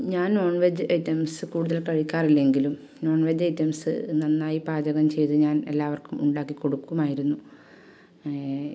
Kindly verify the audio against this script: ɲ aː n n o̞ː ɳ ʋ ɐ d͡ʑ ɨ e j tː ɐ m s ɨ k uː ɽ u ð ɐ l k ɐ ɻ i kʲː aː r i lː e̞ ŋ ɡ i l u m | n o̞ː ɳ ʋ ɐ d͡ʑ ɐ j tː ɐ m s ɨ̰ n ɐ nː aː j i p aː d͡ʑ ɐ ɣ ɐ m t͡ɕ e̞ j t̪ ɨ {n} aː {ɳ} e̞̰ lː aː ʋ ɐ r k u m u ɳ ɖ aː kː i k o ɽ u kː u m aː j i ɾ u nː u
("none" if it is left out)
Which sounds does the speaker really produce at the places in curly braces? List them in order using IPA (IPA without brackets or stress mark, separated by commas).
ɲ, n